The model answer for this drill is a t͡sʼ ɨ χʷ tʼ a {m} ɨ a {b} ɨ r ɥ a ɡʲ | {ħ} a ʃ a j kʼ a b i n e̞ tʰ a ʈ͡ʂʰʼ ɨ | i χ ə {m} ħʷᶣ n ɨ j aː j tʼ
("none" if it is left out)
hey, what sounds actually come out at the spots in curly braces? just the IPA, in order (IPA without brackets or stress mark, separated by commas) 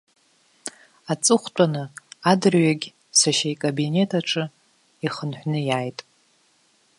n, d, s, n